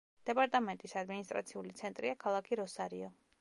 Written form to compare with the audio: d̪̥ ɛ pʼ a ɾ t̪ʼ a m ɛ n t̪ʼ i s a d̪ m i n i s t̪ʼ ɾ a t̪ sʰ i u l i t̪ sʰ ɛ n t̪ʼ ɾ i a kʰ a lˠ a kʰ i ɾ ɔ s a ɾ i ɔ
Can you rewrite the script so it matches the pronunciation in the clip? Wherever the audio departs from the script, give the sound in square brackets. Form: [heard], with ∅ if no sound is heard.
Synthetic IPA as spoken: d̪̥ ɛ pʼ a ɾ t̪ʼ a m ɛ n t̪ʼ i s a d̪ m i n i s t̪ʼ ɾ a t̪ sʰ i u l i t̪ sʰ ɛ n t̪ʼ ɾ i a kʰ a lˠ a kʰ i ɾ ɔ s a ɾ i ɔ